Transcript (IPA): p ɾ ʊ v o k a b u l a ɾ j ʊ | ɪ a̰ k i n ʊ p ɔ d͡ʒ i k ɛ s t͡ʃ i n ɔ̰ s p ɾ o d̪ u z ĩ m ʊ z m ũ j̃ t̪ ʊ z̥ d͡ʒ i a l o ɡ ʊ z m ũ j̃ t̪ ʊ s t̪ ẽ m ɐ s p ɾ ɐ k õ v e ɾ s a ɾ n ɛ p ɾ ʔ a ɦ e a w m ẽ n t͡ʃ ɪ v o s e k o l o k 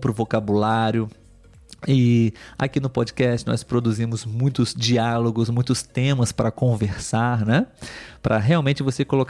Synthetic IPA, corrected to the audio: p ɾ ʊ v o k a b u l a ɾ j ʊ | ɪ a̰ k i n ʊ p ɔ d͡ʒ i k ɛ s t͡ʃ ɪ n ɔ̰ s p ɾ o d̪ u z ĩ m ʊ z m ũ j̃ t̪ ʊ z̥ d͡ʒ i a l o ɡ ʊ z m ũ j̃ t̪ ʊ s t̪ ẽ m ɐ s p ɾ ɐ k õ v e ɾ s a ɾ n ɛ p ɾ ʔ ɐ ɦ e a w m ẽ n t͡ʃ ɪ v o s e k o l o k